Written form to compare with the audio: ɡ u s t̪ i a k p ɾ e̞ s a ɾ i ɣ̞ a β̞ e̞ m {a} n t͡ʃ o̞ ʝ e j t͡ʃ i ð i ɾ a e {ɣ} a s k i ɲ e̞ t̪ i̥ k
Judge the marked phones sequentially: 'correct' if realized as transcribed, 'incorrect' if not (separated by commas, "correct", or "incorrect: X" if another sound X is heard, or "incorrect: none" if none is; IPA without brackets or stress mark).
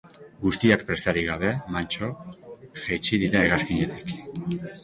correct, correct